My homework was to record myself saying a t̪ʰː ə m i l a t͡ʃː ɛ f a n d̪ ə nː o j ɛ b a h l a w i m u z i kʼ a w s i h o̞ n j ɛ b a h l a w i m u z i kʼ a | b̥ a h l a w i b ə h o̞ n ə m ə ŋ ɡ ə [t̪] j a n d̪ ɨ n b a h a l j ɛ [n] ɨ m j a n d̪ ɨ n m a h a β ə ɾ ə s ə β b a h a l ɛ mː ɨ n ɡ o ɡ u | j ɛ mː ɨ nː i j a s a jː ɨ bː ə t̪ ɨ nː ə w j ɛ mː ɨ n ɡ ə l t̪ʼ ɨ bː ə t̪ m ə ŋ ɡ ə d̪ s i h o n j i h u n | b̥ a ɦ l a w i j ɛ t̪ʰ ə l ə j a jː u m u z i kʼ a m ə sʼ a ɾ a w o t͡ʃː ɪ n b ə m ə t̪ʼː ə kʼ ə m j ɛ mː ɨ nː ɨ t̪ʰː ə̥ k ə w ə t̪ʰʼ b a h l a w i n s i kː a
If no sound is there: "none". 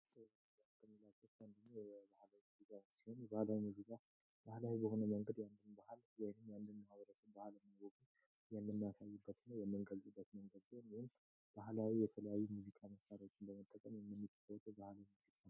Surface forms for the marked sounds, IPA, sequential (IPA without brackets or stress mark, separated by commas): d̪, n